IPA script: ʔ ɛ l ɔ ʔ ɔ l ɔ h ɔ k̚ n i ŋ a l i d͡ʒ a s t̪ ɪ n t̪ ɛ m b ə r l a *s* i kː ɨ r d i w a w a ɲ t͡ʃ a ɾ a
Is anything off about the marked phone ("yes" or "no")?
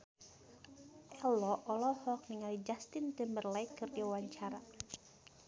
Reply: yes